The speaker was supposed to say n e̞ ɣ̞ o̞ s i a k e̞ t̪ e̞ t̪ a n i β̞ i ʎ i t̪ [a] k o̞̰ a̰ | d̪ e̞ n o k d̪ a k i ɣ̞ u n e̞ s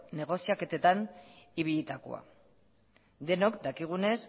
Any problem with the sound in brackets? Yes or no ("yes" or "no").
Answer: no